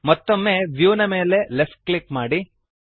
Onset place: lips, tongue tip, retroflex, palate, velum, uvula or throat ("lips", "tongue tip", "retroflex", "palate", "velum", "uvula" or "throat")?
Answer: lips